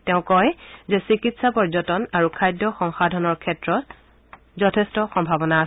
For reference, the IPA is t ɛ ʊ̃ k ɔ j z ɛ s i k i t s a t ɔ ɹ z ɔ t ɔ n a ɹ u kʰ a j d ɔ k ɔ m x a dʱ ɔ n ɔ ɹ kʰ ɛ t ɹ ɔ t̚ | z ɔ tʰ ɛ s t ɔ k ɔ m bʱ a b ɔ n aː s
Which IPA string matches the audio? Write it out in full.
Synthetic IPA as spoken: t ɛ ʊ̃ k ɔ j z ɛ s i k i t s a p ɔ ɹ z ɔ t ɔ n a ɹ u kʰ a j d ɔ x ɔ ŋ x a dʱ ɔ n ɔ ɹ kʰ ɛ t ɹ ɔ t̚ | z ɔ tʰ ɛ s t ɔ x ɔ m bʱ a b ɔ n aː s